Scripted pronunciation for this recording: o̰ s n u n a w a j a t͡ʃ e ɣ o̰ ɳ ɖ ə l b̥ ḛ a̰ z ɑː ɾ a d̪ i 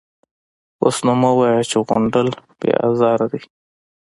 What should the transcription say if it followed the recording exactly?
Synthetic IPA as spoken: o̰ s n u m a w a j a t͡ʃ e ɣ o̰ ɳ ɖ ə l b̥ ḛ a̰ z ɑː ɾ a d̪ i